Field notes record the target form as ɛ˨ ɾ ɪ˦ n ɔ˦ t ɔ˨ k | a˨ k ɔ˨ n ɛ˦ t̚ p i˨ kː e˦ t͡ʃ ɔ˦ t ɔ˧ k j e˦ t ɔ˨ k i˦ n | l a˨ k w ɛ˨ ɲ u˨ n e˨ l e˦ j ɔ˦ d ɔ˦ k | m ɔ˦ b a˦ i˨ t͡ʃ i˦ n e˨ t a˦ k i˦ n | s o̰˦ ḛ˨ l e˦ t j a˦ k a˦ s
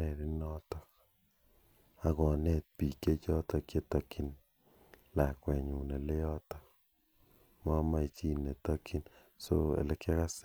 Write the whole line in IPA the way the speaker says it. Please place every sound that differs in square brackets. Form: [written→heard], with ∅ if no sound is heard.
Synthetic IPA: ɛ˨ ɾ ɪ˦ n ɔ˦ t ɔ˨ k | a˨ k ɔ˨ n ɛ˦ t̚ p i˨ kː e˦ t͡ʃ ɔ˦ t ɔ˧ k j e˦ t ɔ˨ k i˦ n | l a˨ k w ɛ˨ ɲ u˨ n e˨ l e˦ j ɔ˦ [d→t] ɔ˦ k | m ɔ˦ [b→m] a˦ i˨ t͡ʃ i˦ n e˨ t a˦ k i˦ n | s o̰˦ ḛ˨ l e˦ [t→k] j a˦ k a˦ s